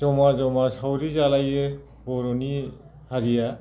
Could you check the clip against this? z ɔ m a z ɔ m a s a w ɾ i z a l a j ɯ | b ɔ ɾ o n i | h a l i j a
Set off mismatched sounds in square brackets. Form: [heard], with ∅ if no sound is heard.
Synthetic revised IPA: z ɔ m a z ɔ m a s a w ɾ i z a l a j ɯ | b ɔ ɾ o n i | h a [ɾ] i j a

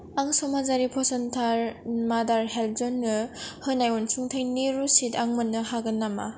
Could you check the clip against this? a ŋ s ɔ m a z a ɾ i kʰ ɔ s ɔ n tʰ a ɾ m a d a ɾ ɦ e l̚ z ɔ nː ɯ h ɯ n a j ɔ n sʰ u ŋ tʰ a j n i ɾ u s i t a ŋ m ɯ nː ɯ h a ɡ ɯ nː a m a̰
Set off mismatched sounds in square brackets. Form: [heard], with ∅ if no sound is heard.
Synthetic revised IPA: a ŋ s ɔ m a z a ɾ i [pʰ] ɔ s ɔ n tʰ a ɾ m a d a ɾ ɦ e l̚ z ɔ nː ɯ h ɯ n a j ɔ n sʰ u ŋ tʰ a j n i ɾ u s i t a ŋ m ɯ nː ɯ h a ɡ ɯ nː a m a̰

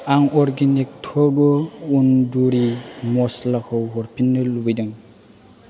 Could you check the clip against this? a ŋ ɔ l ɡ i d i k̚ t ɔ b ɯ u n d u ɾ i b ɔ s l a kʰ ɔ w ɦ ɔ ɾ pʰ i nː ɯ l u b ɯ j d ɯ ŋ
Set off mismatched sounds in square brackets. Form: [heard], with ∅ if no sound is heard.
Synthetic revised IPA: a ŋ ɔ [ɾ] ɡ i [n] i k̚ [tʰ] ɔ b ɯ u n d u ɾ i [m] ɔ s l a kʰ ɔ w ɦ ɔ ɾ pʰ i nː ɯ l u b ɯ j d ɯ ŋ

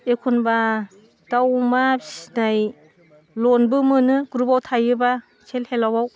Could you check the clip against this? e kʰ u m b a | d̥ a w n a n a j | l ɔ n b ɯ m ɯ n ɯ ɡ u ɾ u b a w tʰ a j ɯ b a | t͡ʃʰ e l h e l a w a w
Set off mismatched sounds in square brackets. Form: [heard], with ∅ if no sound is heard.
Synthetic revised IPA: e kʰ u [n] b a | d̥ a w [m] a n a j | l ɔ n b ɯ m ɯ n ɯ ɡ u ɾ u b a w tʰ a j ɯ b a | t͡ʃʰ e l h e l a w a w

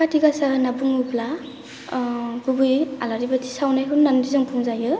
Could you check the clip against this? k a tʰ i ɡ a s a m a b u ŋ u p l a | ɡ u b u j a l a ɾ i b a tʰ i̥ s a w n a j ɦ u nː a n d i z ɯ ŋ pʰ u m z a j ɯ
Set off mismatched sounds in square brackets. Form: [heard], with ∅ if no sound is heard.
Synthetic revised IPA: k a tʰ i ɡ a s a [n] a b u ŋ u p l a | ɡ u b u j a l a ɾ i b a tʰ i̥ s a w n a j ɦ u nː a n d i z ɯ ŋ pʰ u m z a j ɯ

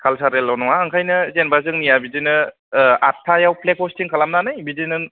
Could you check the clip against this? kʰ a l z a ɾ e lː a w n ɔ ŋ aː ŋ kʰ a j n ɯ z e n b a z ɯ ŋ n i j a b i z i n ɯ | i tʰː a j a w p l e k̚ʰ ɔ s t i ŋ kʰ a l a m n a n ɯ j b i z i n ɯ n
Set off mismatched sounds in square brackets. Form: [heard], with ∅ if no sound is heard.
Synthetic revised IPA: kʰ a l [s] a ɾ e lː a w n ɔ ŋ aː ŋ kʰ a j n ɯ z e n b a z ɯ ŋ n i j a b i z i n ɯ | [a] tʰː a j a w p l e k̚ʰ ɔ s t i ŋ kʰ a l a m n a n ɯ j b i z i n ɯ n

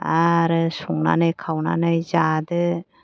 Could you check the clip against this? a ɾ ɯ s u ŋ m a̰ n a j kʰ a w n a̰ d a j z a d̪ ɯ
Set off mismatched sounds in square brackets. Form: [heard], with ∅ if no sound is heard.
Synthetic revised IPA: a ɾ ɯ s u ŋ [n] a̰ n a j kʰ a w n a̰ [n] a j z a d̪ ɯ

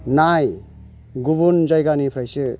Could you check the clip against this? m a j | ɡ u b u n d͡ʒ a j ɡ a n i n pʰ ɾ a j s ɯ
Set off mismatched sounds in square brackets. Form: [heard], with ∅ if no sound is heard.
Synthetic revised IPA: [n] a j | ɡ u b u n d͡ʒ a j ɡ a n i [∅] pʰ ɾ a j s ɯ

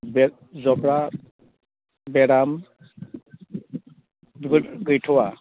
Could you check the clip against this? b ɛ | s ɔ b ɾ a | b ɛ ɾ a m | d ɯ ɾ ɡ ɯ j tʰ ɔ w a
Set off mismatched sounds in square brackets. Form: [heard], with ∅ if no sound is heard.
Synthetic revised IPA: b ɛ | [z] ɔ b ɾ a | b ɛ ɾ a m | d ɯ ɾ ɡ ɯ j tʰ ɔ w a

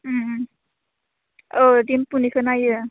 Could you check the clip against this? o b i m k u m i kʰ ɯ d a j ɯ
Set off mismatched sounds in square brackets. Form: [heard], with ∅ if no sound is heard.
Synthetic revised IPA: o [d] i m [p] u [n] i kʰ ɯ [n] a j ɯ

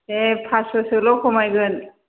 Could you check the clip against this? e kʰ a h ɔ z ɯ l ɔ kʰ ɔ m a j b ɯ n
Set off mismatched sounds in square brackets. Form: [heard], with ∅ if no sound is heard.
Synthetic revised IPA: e [pʰ] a [s] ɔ [s] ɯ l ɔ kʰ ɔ m a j [ɡ] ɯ n

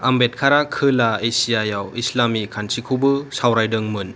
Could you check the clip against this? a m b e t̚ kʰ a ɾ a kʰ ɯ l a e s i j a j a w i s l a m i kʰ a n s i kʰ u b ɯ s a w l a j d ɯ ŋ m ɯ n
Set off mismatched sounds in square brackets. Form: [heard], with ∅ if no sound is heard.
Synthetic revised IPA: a m b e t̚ kʰ a ɾ a kʰ ɯ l a e s i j a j a w i s l a m i kʰ a n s i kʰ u b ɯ s a w [ɾ] a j d ɯ ŋ m ɯ n

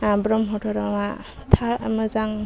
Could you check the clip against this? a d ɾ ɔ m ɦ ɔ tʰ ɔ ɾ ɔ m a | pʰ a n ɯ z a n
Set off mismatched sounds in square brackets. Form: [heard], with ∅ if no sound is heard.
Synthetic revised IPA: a [b] ɾ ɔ m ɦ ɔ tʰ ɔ ɾ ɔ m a | [tʰ] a [m] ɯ z a [ŋ]

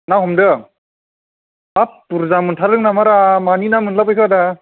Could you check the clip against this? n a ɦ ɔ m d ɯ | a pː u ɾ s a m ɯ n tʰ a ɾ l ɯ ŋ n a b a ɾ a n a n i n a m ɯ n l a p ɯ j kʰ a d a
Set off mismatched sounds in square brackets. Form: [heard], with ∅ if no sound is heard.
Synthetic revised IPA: n a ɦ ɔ m d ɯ | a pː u ɾ [z] a m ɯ n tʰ a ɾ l ɯ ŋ n a [m] a ɾ a [m] a n i n a m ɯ n l a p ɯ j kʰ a d a

